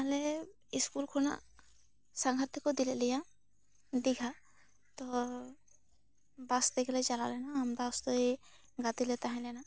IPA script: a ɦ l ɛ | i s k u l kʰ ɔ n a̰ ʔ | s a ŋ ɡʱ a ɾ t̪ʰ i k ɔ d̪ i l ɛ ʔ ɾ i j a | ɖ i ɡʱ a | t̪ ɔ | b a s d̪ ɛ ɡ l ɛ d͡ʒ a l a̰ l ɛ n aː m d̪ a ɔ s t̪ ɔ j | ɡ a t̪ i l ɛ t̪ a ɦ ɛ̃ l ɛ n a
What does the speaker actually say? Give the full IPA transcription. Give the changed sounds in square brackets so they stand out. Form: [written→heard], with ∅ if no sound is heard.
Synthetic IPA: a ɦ l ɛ | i s k u l kʰ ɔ n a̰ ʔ | s a ŋ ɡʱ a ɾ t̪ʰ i k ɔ d̪ i l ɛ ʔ [ɾ→l] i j a | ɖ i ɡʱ a | t̪ ɔ | b a s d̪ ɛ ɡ l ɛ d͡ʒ a l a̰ l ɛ n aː m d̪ a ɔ s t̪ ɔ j | ɡ a t̪ i l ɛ t̪ a ɦ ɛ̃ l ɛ n a

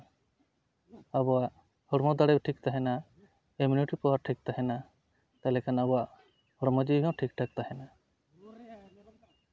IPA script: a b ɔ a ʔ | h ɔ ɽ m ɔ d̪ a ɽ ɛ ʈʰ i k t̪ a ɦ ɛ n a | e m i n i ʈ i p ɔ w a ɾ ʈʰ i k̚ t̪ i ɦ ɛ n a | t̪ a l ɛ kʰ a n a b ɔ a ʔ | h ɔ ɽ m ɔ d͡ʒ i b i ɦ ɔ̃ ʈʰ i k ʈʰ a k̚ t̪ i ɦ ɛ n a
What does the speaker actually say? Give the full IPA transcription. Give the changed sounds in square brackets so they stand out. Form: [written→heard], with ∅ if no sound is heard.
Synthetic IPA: a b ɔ a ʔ | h ɔ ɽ m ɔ d̪ a ɽ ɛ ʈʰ i k t̪ a ɦ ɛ n a | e m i n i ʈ i p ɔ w a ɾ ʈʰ i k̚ t̪ [i→a] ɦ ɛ n a | t̪ a l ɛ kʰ a n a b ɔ a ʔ | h ɔ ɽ m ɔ d͡ʒ i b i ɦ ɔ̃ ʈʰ i k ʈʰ a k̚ t̪ [i→a] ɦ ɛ n a

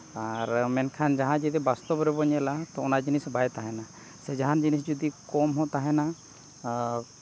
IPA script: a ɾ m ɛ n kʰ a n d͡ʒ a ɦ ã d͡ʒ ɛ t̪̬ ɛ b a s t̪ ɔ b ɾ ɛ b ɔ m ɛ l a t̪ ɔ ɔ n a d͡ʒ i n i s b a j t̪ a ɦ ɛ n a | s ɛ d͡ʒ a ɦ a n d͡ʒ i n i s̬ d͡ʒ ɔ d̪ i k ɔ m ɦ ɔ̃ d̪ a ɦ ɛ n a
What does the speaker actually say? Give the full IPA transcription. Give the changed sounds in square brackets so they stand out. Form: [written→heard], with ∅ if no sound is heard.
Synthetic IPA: a ɾ m ɛ n kʰ a n d͡ʒ a ɦ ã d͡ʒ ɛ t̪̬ ɛ b a s t̪ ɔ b ɾ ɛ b ɔ [m→ɲ] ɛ l a t̪ ɔ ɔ n a d͡ʒ i n i s b a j t̪ a ɦ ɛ n a | s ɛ d͡ʒ a ɦ a n d͡ʒ i n i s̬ d͡ʒ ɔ d̪ i k ɔ m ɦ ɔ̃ [d̪→t̪] a ɦ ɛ n a

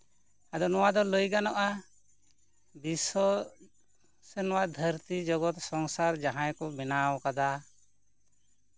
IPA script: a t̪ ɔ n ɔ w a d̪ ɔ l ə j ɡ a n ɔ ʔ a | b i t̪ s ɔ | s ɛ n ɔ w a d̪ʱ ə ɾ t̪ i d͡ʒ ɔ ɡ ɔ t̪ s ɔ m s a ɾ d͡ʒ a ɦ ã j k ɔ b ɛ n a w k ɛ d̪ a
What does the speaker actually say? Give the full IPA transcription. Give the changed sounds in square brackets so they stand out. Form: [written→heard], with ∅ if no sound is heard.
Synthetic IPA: a [t̪→d̪] ɔ n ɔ w a d̪ ɔ l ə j ɡ a n ɔ ʔ a | b i [t̪→∅] s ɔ | s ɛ n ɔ w a d̪ʱ ə ɾ t̪ i d͡ʒ ɔ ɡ ɔ t̪ s ɔ [m→ŋ] s a ɾ d͡ʒ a ɦ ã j k ɔ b ɛ n a w k [ɛ→a] d̪ a

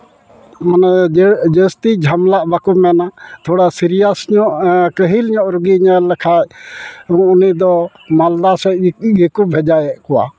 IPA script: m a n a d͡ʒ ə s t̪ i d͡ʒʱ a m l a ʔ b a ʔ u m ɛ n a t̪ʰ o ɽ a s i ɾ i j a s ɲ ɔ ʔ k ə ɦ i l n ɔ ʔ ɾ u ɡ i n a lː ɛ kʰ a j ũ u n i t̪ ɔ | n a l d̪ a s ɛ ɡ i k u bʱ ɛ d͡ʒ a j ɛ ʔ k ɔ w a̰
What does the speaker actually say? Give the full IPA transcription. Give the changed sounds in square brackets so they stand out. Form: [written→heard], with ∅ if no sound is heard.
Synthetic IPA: m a n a d͡ʒ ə s t̪ i d͡ʒʱ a m l a ʔ b a [ʔ→k] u m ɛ n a t̪ʰ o ɽ a s i ɾ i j a s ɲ ɔ ʔ k ə ɦ i l [n→ɲ] ɔ ʔ ɾ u ɡ i [n→ɲ] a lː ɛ kʰ a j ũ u n i [t̪→d̪] ɔ | [n→m] a l d̪ a s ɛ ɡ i k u bʱ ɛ d͡ʒ a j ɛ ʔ k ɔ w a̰

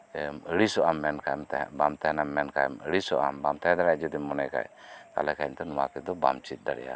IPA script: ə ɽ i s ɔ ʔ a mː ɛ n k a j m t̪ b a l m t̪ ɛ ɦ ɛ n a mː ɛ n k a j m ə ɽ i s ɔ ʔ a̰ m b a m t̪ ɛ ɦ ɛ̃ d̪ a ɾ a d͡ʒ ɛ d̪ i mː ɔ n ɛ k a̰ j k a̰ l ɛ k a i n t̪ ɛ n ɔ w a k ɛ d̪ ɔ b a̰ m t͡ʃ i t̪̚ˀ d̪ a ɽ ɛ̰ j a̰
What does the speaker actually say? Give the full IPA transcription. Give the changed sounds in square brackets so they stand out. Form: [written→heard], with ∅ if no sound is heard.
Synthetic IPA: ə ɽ i s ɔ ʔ a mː ɛ n k a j m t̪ b a [l→∅] m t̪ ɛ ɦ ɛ n a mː ɛ n k a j m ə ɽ i s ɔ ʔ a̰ m b a m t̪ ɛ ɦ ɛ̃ d̪ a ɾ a d͡ʒ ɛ d̪ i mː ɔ n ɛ k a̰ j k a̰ l ɛ k a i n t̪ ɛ n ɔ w a k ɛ d̪ ɔ b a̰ m t͡ʃ i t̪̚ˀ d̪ a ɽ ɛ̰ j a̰

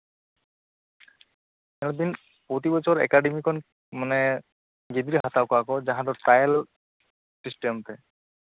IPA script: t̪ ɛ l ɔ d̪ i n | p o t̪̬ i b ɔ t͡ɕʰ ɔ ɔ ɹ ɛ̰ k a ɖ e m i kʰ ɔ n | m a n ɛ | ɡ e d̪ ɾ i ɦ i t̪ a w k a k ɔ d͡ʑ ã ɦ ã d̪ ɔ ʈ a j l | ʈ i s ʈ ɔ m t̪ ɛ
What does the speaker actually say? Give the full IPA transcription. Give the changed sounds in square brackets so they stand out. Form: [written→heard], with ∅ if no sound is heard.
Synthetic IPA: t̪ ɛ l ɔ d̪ i n | p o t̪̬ i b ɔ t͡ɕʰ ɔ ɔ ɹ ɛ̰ k a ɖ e m i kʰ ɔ n | m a n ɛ | ɡ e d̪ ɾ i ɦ [i→a] t̪ a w k a k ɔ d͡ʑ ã ɦ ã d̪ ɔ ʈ a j l | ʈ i s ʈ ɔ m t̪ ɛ

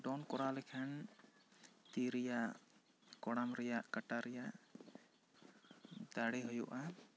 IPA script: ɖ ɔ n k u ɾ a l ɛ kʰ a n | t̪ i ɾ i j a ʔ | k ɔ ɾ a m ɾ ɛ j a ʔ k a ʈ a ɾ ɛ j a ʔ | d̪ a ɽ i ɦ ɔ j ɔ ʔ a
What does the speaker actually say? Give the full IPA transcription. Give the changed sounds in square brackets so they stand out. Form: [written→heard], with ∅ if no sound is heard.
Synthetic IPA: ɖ ɔ n k [u→ɔ] ɾ a l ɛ kʰ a n | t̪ i ɾ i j a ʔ | k ɔ [ɾ→ɽ] a m ɾ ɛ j a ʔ k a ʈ a ɾ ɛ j a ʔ | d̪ a ɽ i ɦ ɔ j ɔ ʔ a

